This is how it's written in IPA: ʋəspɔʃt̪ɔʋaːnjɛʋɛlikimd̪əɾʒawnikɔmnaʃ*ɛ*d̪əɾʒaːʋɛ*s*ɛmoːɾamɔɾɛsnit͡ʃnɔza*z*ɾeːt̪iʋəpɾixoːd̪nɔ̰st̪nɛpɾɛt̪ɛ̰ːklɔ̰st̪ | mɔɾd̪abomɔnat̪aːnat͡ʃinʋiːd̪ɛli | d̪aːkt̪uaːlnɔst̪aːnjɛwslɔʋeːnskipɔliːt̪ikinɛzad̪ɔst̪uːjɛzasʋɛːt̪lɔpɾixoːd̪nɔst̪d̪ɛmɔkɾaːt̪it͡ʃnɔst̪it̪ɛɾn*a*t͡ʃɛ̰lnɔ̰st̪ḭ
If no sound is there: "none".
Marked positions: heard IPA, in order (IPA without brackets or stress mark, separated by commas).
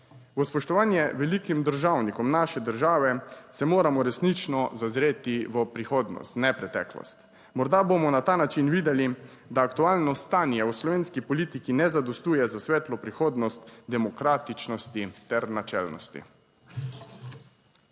ɛ, s, z, a